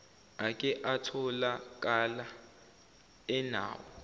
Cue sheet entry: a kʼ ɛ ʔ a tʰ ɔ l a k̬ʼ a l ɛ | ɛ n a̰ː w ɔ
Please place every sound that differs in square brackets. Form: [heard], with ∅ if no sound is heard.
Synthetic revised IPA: a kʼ ɛ ʔ a tʰ ɔ l a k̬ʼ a l [a] | ɛ n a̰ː w ɔ